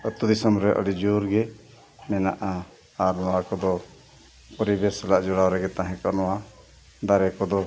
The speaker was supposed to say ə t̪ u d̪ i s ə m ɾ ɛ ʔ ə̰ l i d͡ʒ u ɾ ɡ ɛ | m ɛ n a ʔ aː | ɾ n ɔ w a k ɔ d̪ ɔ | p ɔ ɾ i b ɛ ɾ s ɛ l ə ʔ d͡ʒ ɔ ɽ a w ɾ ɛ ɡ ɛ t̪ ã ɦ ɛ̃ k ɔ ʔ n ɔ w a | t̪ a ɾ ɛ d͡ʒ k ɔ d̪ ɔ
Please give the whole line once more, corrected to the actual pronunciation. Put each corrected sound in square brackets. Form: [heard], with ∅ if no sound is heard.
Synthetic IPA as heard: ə t̪ u d̪ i s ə m ɾ ɛ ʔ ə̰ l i d͡ʒ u ɾ ɡ ɛ | m ɛ n a ʔ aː | ɾ n ɔ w a k ɔ d̪ ɔ | p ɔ ɾ i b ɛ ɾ s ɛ l [a] ʔ d͡ʒ ɔ ɽ a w ɾ ɛ ɡ ɛ t̪ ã ɦ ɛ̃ k ɔ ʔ n ɔ w a | [d̪] a ɾ ɛ [∅] k ɔ d̪ ɔ